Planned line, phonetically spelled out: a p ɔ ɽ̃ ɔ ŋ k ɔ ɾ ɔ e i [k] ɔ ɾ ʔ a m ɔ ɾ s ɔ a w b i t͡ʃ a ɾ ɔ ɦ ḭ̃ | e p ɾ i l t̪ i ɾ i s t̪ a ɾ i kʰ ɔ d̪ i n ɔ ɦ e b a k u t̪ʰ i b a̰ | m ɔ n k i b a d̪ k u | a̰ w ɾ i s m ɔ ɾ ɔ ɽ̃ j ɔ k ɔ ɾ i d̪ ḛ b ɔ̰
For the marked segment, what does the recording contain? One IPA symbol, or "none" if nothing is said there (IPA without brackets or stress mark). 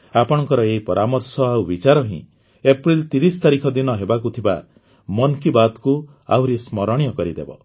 p